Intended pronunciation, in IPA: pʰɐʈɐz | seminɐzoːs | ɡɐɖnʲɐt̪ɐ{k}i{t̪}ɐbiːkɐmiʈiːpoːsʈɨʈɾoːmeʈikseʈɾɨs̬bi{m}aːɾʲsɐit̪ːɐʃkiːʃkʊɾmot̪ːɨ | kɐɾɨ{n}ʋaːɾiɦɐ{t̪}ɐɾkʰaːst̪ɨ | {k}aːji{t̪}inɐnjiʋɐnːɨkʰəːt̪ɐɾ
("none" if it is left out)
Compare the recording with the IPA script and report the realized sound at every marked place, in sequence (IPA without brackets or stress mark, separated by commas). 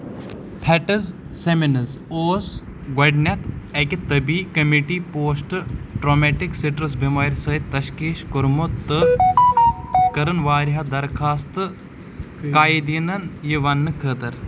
k, t̪, m, n, d̪, k, d̪